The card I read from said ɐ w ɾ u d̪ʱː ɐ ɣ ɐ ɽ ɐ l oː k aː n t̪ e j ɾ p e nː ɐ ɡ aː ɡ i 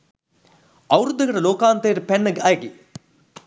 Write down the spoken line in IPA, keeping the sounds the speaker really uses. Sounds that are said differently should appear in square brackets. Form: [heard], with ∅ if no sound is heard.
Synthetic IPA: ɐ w ɾ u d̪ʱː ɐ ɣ ɐ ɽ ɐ l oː k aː n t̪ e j ɾ p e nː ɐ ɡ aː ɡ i